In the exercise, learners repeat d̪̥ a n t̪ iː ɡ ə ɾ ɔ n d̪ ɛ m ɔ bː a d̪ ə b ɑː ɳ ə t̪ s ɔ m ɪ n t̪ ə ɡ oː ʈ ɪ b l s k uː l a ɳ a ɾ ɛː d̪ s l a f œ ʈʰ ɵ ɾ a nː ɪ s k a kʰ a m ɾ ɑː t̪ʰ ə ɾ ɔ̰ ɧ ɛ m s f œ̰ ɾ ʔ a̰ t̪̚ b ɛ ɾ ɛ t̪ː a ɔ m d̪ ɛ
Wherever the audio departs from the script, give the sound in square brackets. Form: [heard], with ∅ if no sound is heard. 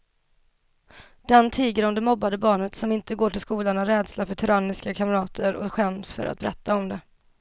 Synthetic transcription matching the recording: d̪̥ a n [t̪ʰ] iː ɡ ə ɾ ɔ [m] d̪ ɛ m ɔ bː a d̪ ə b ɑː ɳ ə t̪ s ɔ m ɪ n t̪ ə ɡ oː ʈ ɪ [∅] l s k uː l a ɳ a ɾ ɛː d̪ s l a f œ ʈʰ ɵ ɾ a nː ɪ s k a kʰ a m ɾ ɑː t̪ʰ ə ɾ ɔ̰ ɧ ɛ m s f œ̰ ɾ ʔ a̰ t̪̚ b ɛ ɾ ɛ t̪ː a ɔ m d̪ ɛ